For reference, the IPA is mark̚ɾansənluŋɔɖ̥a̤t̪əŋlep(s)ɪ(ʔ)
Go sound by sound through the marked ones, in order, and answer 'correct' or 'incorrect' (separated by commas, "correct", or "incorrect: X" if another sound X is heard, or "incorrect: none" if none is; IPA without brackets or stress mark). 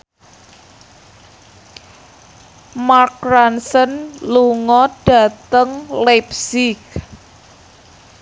correct, incorrect: k